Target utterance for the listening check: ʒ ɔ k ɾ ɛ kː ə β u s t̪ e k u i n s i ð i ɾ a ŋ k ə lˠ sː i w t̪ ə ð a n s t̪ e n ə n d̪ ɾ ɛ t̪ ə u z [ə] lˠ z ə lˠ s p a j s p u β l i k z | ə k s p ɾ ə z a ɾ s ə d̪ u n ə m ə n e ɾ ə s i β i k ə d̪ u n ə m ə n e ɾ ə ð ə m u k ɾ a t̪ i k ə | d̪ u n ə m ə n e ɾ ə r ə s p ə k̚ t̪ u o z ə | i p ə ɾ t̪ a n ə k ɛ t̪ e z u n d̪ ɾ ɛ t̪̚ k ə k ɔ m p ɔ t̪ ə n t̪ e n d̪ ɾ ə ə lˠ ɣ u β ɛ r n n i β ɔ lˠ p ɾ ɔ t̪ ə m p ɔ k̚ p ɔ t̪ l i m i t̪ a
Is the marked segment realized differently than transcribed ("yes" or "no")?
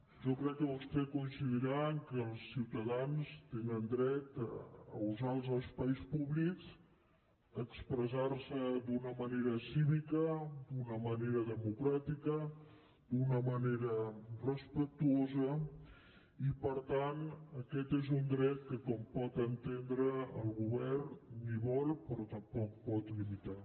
yes